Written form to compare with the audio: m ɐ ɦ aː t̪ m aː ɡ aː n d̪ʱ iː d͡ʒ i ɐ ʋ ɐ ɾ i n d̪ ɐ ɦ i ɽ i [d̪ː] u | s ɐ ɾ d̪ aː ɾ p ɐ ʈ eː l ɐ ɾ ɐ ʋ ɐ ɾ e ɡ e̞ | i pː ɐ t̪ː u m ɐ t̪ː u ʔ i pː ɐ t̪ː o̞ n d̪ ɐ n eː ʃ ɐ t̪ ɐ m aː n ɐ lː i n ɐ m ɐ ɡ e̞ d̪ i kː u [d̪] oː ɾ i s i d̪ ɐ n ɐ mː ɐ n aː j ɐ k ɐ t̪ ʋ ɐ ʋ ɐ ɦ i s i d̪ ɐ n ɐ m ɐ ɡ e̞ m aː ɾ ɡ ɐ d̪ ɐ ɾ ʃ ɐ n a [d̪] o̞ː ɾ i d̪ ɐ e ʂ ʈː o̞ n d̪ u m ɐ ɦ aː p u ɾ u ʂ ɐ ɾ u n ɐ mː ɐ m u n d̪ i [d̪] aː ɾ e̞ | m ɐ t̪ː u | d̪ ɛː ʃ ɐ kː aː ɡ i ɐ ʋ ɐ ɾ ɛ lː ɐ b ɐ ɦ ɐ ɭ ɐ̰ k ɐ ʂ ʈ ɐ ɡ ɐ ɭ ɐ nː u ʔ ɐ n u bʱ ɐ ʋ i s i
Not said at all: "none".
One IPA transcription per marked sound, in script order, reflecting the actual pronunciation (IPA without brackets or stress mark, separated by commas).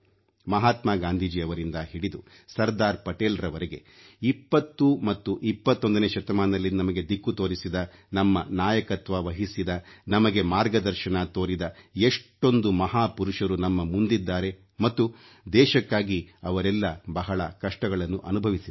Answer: d̪, t̪, t̪, d̪ː